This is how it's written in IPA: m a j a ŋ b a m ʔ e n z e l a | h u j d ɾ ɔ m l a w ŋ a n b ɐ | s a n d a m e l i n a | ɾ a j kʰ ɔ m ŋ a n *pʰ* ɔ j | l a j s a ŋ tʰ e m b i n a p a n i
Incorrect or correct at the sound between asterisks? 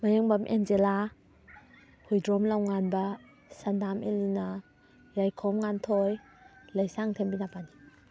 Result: incorrect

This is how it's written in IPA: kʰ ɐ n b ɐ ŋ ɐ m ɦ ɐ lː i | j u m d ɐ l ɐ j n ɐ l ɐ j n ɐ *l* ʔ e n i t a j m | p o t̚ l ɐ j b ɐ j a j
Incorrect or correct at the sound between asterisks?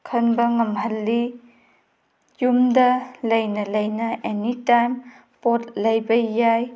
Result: incorrect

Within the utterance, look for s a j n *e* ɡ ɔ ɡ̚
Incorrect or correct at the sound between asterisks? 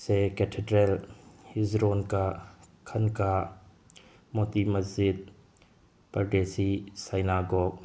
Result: incorrect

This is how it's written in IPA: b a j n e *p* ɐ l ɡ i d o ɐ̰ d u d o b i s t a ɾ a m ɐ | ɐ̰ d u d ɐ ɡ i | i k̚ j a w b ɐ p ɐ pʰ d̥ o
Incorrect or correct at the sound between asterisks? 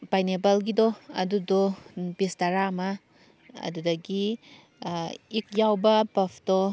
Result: incorrect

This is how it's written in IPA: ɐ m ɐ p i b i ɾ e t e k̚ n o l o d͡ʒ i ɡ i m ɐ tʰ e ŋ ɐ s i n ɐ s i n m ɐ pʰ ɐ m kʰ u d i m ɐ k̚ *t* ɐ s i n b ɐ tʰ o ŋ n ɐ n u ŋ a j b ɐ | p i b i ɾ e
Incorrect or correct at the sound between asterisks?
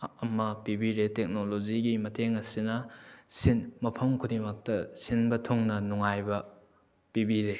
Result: correct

